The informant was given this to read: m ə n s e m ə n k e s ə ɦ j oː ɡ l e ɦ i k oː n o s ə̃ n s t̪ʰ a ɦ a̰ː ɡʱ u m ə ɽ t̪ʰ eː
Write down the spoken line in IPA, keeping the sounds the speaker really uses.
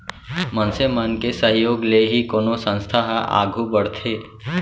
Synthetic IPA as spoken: m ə n s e m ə n k e s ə ɦ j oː ɡ l e ɦ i k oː n o s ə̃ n s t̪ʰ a ɦ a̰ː ɡʱ u b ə ɽ t̪ʰ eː